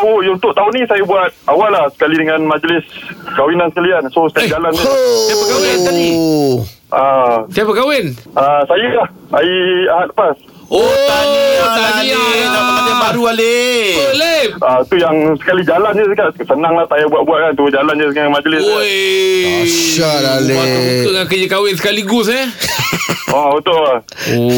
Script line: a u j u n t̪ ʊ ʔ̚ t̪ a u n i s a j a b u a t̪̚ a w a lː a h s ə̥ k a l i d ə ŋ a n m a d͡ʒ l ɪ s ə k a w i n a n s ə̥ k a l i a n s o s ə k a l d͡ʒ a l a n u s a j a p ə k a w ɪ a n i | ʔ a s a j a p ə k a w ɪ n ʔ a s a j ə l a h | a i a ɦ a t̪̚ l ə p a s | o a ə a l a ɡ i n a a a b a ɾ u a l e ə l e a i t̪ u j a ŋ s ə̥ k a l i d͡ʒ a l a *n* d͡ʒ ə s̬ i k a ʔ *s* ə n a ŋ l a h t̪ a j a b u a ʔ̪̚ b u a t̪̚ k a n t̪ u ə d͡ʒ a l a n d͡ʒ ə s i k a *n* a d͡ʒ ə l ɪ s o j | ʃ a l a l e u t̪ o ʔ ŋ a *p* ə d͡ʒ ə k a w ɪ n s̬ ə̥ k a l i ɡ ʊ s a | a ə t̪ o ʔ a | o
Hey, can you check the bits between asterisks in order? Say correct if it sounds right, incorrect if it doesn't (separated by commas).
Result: correct, correct, incorrect, incorrect